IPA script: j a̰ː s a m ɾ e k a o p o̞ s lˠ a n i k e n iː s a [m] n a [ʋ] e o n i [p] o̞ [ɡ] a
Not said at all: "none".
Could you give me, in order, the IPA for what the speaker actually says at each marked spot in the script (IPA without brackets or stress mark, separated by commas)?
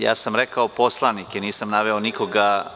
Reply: m, ʋ, k, ɡ